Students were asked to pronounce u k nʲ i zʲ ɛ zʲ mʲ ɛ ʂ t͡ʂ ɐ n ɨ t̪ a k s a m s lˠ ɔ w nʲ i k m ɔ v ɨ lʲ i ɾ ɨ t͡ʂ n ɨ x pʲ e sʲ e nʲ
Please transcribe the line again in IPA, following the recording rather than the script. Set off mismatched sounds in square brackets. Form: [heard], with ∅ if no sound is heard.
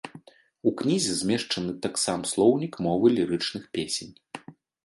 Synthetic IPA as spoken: u k nʲ i zʲ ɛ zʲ mʲ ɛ ʂ t͡ʂ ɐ n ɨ t̪ a k s a m s lˠ ɔ w nʲ i k m ɔ v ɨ lʲ i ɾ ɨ t͡ʂ n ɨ x pʲ e sʲ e nʲ